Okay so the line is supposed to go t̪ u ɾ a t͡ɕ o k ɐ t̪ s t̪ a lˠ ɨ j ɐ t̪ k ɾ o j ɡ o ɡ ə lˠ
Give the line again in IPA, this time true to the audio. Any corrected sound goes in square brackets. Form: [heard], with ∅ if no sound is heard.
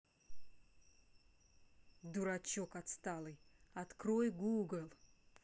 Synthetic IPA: [d̪] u ɾ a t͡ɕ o k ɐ t̪ s t̪ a lˠ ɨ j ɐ t̪ k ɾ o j ɡ [u] ɡ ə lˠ